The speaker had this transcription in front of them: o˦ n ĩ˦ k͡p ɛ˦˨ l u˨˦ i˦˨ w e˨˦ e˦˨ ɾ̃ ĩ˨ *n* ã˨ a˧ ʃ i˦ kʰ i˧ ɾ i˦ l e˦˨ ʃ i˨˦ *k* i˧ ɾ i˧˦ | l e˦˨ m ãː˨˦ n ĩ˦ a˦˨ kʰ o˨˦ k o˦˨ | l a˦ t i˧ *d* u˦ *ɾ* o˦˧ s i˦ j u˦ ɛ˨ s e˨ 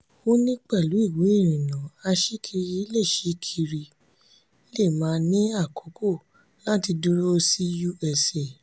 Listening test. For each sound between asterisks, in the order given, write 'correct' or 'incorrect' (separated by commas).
correct, incorrect, correct, correct